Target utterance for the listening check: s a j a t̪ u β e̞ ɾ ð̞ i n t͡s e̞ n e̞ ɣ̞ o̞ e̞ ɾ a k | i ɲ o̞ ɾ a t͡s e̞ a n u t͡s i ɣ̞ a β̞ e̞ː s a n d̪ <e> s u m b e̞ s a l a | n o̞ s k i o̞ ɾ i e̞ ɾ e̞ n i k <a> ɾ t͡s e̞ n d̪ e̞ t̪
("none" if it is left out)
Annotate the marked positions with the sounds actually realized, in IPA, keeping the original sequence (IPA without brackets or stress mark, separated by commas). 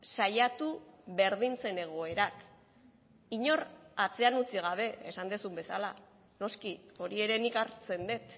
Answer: e, a